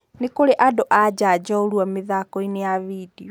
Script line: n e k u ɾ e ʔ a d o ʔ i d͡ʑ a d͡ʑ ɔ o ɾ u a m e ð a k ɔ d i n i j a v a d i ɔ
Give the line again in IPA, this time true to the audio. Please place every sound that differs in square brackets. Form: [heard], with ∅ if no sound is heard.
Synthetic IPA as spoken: n e k [o] ɾ e ʔ a d o ʔ [a] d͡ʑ a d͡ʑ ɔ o ɾ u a m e ð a k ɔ [∅] i n [e] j a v [i] d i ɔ